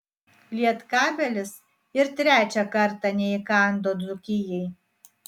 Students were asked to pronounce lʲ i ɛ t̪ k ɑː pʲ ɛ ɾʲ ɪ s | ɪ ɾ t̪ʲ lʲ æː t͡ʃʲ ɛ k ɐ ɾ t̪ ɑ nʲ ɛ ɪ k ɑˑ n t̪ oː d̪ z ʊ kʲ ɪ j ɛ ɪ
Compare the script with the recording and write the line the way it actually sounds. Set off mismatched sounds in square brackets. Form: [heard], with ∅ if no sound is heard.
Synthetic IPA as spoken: lʲ i ɛ t̪ k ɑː [bʲ] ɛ [lʲ] ɪ s | ɪ ɾ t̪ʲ [ɾʲ] æː t͡ʃʲ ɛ k ɐ ɾ t̪ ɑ nʲ ɛ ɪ k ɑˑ n [d̪] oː d̪ z ʊ kʲ ɪ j ɛ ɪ